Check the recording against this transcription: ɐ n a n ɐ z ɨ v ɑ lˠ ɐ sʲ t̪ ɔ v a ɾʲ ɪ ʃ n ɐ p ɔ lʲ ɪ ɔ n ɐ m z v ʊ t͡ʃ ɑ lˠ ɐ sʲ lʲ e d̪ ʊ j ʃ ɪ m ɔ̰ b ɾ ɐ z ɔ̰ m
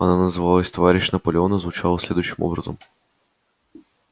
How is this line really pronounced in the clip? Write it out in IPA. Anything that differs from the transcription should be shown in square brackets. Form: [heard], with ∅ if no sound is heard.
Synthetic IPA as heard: ɐ n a n ɐ z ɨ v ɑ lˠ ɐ sʲ t̪ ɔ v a ɾʲ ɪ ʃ n ɐ p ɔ lʲ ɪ ɔ n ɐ [∅] z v ʊ t͡ʃ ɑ lˠ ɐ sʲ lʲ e d̪ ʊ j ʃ ɪ m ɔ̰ b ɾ ɐ z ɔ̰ m